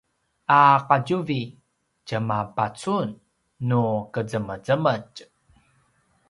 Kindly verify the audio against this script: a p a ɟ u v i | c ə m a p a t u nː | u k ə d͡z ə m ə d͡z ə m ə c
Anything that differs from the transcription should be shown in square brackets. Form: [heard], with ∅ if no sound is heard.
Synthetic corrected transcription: a [q] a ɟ u v i | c ə m a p a [t͡s] u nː | u k ə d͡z ə m ə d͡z ə m ə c

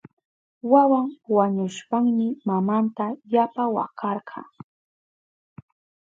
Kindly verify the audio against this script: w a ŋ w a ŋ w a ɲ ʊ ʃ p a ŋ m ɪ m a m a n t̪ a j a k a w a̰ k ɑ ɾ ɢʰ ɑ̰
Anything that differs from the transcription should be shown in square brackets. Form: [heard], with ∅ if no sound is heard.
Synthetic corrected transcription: w a [∅] w a ŋ w a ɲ ʊ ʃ p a ŋ m ɪ m a m a n t̪ a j a [p] a w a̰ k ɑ ɾ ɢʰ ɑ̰

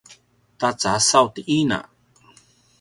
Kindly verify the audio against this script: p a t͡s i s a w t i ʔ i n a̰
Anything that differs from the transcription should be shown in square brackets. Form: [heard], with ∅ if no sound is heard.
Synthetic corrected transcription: [t] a t͡s [a] s a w t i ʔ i n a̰

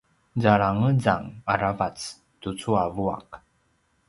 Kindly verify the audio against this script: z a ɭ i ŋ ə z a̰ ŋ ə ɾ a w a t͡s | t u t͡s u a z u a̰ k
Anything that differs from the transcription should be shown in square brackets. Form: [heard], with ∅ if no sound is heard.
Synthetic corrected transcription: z a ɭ [a] ŋ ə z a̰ ŋ [a] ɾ a [v] a t͡s | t u t͡s u a [v] u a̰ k

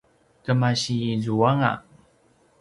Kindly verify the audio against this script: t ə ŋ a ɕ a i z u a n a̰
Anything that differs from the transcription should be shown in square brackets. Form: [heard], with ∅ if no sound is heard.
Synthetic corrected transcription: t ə [m] a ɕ [i] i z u a [ŋ] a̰

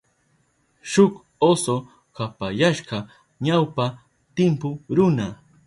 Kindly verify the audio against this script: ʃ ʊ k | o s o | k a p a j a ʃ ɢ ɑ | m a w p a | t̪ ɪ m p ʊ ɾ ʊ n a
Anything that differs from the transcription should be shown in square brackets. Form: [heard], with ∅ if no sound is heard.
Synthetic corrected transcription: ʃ ʊ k | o s o | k a p a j a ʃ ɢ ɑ | [ɲ] a w p a | t̪ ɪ m p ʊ ɾ ʊ n a

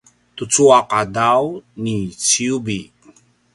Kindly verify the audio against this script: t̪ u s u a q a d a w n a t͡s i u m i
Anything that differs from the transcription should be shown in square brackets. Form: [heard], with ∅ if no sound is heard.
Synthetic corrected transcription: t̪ u [t͡s] u a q a d a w n [i] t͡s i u [b] i

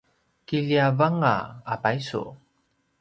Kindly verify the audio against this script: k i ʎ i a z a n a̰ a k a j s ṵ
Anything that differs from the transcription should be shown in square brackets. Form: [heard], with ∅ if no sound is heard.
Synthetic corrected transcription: k i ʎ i a [v] a [ŋ] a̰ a [p] a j s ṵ

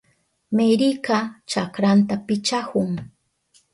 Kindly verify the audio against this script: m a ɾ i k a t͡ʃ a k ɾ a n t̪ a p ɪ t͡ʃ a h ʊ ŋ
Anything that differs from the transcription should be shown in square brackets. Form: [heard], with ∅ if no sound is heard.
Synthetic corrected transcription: m [e] ɾ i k a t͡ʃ a k ɾ a n t̪ a p ɪ t͡ʃ a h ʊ ŋ

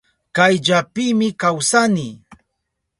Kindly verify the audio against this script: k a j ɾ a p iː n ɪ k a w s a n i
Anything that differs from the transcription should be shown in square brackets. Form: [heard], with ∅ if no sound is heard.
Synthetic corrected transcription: k a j [ʎ] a p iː [m] ɪ k a w s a n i

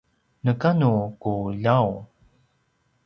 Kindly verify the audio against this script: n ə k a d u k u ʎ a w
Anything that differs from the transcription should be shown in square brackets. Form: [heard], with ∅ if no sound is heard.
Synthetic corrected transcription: n ə k a [n] u k u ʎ a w

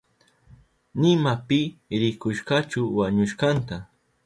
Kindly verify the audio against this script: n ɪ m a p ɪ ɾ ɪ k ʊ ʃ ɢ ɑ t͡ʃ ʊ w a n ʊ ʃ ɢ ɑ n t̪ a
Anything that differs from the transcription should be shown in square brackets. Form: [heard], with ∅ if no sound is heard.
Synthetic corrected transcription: n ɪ m a p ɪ ɾ ɪ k ʊ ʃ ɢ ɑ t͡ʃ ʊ w a [ɲ] ʊ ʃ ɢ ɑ n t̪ a

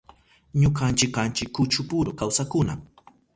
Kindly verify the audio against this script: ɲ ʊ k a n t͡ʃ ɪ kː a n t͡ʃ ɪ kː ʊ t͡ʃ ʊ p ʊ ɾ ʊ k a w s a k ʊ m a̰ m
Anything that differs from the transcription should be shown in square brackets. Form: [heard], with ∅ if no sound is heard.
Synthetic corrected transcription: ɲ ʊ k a n t͡ʃ ɪ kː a n t͡ʃ ɪ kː ʊ t͡ʃ ʊ p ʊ ɾ ʊ k a w s a k ʊ [n] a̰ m

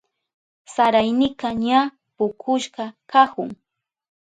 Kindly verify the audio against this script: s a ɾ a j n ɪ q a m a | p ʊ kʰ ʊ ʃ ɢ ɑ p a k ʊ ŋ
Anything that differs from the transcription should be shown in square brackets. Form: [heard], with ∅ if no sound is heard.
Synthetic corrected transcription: s a ɾ a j n ɪ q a [ɲ] a | p ʊ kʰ ʊ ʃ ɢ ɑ [k] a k ʊ ŋ

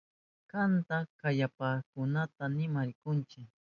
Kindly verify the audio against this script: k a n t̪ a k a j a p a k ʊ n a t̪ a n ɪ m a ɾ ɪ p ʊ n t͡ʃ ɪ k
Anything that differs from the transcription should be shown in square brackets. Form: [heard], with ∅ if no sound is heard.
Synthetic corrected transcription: k a n t̪ a k a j a p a k ʊ n a t̪ a n ɪ m a ɾ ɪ [k] ʊ n t͡ʃ ɪ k

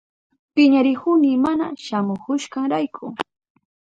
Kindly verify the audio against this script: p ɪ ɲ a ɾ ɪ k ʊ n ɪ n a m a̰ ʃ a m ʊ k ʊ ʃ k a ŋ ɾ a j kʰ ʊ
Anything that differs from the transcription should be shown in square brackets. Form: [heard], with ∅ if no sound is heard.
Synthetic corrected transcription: p ɪ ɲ a ɾ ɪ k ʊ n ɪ [m] a [n] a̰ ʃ a m ʊ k ʊ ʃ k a ŋ ɾ a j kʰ ʊ

